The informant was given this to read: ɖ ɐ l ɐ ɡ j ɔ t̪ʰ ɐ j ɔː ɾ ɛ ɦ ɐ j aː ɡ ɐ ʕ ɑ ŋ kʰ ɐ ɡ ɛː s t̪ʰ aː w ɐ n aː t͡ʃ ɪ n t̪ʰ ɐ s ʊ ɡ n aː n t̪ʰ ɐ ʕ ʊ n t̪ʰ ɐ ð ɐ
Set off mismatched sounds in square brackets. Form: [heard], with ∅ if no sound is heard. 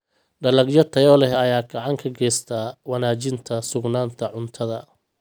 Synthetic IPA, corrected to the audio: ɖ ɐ l ɐ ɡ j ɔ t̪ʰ ɐ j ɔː [l] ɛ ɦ ɐ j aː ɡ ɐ ʕ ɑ ŋ kʰ ɐ ɡ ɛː s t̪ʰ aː w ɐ n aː t͡ʃ ɪ n t̪ʰ ɐ s ʊ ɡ n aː n t̪ʰ ɐ ʕ ʊ n t̪ʰ ɐ ð ɐ